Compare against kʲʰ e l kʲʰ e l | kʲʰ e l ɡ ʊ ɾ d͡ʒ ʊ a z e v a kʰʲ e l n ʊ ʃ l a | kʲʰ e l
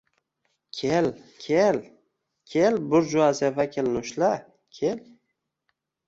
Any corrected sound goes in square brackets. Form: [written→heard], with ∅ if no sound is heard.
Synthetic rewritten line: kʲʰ e l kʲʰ e l | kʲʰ e l [ɡ→b] ʊ ɾ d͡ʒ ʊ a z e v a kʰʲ e l n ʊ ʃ l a | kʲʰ e l